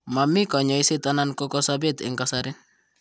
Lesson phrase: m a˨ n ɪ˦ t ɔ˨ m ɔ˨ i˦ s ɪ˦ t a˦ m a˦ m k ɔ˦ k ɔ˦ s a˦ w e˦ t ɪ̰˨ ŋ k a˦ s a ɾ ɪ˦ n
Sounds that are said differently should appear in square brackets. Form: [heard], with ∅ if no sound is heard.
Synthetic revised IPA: m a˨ [m] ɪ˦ [k] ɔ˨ [ɲ] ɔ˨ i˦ s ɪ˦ t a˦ [n] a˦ [n] k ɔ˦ k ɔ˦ s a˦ [b] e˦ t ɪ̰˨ ŋ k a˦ s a ɾ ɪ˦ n